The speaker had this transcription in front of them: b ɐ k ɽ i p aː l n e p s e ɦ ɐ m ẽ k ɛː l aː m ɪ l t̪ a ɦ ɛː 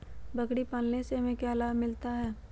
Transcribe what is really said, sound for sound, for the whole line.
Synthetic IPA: b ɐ k ɽ i p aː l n e s e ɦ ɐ m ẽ k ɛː l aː m ɪ l t̪ a ɦ ɛː